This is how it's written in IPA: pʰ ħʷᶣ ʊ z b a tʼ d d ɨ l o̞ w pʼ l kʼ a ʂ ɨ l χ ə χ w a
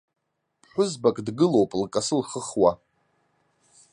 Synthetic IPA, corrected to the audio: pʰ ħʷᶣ ʊ z b a kʼ d ɡ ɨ l o̞ w pʼ l kʼ a s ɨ l χ ə χ w a